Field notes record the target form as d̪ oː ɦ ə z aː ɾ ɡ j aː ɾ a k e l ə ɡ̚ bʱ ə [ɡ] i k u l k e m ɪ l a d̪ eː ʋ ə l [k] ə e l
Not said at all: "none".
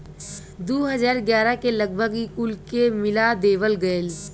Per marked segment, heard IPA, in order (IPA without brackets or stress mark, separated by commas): ɡ, ɡ